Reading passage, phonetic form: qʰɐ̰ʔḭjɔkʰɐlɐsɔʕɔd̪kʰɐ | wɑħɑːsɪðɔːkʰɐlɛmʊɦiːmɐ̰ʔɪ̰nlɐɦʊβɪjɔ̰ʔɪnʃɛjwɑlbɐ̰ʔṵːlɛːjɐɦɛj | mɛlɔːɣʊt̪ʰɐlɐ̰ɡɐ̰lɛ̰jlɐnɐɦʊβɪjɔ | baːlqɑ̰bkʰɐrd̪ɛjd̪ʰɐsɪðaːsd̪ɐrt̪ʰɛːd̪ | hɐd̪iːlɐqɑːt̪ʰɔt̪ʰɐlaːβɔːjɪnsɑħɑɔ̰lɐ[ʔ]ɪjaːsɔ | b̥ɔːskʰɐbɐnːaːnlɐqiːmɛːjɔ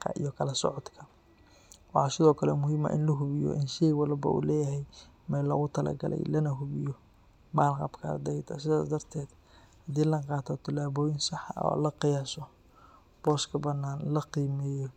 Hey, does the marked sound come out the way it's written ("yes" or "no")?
no